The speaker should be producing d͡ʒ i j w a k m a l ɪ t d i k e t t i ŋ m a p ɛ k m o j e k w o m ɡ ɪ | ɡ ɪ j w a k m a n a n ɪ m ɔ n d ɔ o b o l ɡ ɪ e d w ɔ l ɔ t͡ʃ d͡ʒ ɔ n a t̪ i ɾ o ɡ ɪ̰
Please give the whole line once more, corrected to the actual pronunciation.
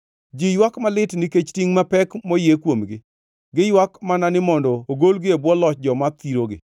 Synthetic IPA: d͡ʒ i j w a k m a l ɪ t n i k e t͡ʃ t i ŋ m a p ɛ k m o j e k w o m ɡ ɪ | ɡ ɪ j w a k m a n a n ɪ m ɔ n d ɔ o ɡ o l ɡ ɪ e b w ɔ l ɔ t͡ʃ d͡ʒ ɔ m a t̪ i ɾ o ɡ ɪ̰